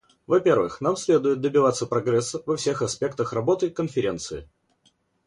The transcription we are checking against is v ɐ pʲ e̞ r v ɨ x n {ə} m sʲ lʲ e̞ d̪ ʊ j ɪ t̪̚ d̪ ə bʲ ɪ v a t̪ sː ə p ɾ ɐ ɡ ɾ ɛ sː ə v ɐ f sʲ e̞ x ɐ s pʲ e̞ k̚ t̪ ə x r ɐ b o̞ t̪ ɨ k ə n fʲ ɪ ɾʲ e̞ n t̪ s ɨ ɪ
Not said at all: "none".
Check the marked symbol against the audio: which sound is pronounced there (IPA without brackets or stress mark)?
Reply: a